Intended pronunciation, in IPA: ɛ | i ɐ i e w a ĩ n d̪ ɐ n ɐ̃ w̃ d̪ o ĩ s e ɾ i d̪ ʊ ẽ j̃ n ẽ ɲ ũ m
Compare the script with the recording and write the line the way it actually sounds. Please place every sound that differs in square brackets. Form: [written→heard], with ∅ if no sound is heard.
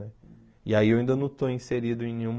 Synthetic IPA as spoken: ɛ | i [ɐ→a] i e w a ĩ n d̪ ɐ n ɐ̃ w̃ [d̪→t̪] o ĩ s e ɾ i d̪ ʊ ẽ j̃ n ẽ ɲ ũ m